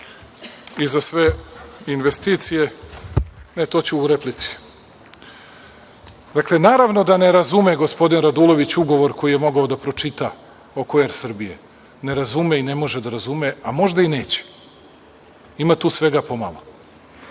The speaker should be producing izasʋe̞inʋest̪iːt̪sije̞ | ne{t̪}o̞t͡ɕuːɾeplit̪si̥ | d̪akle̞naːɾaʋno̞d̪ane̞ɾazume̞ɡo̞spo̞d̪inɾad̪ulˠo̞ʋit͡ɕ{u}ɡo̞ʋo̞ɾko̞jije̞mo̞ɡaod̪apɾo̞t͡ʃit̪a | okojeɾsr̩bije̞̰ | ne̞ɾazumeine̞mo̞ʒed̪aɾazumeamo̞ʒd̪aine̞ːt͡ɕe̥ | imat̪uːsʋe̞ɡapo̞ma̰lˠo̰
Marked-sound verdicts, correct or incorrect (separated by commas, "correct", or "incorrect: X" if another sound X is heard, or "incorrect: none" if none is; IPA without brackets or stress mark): correct, correct